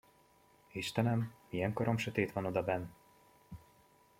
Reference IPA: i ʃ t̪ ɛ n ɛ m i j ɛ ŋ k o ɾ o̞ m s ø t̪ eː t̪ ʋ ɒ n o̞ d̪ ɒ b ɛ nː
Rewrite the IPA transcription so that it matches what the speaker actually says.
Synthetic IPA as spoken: i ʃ t̪ ɛ n ɛ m i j ɛ ŋ k o ɾ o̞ m ʃ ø t̪ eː t̪ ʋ ɒ n o̞ d̪ ɒ b ɛ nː